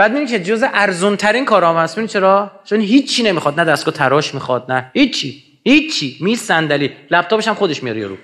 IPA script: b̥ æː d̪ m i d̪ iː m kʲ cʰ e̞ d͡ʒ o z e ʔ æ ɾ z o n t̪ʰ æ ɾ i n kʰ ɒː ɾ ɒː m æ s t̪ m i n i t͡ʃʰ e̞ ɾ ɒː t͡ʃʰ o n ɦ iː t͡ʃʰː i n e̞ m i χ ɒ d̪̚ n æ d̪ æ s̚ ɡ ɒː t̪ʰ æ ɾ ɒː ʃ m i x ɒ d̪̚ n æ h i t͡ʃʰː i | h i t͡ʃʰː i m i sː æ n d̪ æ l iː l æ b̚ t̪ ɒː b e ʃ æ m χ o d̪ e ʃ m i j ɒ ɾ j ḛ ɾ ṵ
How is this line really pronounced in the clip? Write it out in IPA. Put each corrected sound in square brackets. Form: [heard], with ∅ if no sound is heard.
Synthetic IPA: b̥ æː d̪ m i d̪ [i] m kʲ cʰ e̞ d͡ʒ o z e ʔ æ ɾ z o n t̪ʰ æ ɾ i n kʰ ɒː ɾ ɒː m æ s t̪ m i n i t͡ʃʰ e̞ ɾ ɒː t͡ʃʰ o n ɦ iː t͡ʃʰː i n e̞ m i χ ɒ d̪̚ n æ d̪ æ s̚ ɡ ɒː t̪ʰ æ ɾ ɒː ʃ m i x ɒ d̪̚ n æ h i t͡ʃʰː i | h i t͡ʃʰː i m i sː æ n d̪ æ l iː l æ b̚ t̪ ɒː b e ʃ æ m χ o d̪ e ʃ m i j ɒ ɾ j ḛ ɾ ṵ